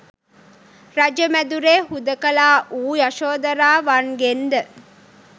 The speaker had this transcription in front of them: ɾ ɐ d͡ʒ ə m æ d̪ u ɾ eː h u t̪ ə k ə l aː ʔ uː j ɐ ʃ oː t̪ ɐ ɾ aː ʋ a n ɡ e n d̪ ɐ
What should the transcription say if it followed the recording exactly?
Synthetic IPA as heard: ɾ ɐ d͡ʒ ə m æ d̪ u ɾ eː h u d̪ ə k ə l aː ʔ uː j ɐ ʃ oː d̪ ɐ ɾ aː ʋ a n ɡ e n d̪ ə

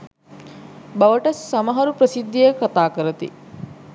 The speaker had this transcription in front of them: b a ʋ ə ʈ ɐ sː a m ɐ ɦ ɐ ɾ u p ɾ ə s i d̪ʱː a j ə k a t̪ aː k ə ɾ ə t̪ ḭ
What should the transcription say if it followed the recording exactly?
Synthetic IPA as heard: b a ʋ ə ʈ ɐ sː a m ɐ ɦ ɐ ɾ u p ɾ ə s i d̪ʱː i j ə k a t̪ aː k ə ɾ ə t̪ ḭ

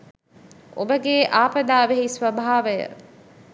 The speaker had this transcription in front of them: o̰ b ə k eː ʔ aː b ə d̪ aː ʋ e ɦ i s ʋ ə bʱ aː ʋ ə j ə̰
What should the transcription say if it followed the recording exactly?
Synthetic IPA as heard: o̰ b ə ɡ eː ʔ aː p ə d̪ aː ʋ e ɦ i s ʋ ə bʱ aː ʋ ə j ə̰

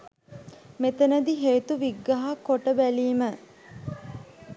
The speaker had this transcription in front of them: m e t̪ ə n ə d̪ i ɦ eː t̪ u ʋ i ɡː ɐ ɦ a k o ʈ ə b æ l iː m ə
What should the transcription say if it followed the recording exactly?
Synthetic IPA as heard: m e t̪ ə n ə d̪ i ɦ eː t̪ u ʋ i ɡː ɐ ɦ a k o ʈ ə b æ l iː m ə

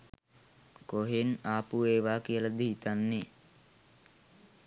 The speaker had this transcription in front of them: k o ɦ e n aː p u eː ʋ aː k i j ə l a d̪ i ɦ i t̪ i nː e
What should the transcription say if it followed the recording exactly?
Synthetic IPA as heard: k o ɦ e n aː p u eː ʋ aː k i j ə l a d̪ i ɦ i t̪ a nː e

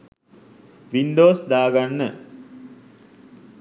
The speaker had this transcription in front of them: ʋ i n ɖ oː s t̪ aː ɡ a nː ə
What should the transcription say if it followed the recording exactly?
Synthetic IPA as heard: ʋ i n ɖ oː s d̪ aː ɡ a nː ə

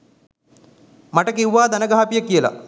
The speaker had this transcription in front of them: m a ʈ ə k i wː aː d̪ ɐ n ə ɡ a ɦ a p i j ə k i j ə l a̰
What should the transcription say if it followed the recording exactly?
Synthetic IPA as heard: m a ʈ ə k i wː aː d̪ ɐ n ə ɡ a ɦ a p i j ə k i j ə l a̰

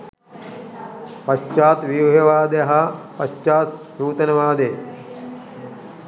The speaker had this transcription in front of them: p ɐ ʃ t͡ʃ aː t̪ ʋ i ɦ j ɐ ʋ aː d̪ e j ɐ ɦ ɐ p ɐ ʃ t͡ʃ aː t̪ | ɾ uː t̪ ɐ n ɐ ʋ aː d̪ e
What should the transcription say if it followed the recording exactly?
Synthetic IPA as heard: p ɐ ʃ t͡ʃ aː t̪ ʋ i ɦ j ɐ ʋ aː d̪ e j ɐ ɦ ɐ p ɐ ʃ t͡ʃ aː t̪ | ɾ uː t̪ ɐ n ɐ ʋ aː d̪ e

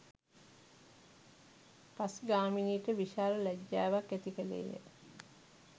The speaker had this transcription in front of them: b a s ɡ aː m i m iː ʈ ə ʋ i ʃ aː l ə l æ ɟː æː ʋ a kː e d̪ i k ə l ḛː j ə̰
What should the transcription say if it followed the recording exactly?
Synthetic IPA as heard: p a s ɡ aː m i n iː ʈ ə ʋ i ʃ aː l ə l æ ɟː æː ʋ a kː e t̪ i k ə l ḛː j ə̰

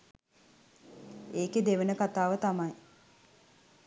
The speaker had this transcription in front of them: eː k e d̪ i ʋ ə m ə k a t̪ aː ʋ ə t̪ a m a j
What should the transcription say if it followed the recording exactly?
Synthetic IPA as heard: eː k e d̪ e ʋ ə n ə k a t̪ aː ʋ ə t̪ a m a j

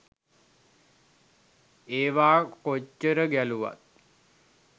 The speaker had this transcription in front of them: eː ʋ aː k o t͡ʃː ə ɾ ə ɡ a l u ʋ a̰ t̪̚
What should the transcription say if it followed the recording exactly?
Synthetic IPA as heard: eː ʋ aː k o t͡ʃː ə ɾ ə ɡ æ l u ʋ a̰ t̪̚

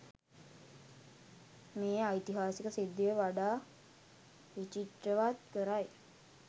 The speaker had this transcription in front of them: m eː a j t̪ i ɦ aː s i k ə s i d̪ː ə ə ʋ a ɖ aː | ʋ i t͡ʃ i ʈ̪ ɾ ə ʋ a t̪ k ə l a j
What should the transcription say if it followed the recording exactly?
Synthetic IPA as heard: m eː a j t̪ i ɦ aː s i k ə s i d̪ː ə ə ʋ a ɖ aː | ʋ i t͡ʃ i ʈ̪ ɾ ə ʋ a t̪ k ə ɾ a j

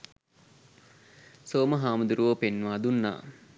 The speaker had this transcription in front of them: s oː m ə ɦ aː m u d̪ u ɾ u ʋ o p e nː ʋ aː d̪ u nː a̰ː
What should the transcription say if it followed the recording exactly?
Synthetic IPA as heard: s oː m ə ɦ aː m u d̪ u ɾ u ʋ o p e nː ʋ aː d̪ u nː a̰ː

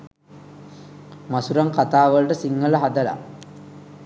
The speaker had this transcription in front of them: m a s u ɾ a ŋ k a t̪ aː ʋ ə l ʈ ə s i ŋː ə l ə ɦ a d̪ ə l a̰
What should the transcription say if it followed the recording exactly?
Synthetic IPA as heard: m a s u ɾ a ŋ k a t̪ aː ʋ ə l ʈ ə s i ŋː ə l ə ɦ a d̪ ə l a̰

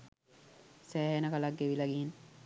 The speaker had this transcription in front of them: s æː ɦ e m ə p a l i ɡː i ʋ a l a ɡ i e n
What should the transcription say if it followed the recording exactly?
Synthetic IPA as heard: s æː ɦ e n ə k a l a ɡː e ʋ i l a ɡ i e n

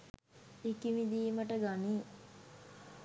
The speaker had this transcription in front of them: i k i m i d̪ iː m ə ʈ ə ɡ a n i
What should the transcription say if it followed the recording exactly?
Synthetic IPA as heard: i k i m i d̪ iː m ə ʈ ə ɡ a n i

